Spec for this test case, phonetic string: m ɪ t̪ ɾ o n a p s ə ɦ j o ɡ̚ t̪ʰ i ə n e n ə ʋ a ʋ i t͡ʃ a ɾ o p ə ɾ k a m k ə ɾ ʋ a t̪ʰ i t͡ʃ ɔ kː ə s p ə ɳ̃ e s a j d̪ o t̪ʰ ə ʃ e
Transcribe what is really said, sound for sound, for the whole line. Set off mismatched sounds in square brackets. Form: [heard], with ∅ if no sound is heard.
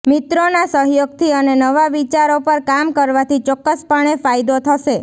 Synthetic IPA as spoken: m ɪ t̪ ɾ o n a [∅] s ə ɦ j o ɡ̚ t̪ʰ i ə n e n ə ʋ a ʋ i t͡ʃ a ɾ o p ə ɾ k a m k ə ɾ ʋ a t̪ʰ i t͡ʃ ɔ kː ə s p ə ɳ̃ e [f] a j d̪ o t̪ʰ ə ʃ e